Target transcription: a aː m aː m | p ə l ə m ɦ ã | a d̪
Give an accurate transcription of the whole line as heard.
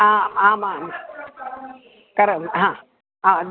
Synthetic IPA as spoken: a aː m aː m | k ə ɾ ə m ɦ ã | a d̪